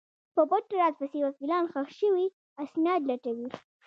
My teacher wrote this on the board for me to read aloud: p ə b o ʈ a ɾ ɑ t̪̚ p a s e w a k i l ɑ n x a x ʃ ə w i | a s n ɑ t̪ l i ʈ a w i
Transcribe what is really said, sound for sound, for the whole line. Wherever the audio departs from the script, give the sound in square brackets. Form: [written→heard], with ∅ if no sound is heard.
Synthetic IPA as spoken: p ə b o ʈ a ɾ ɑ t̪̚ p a s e w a k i l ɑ n x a x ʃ ə w i | a s n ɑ [t̪→d̪] l [i→a] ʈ a w i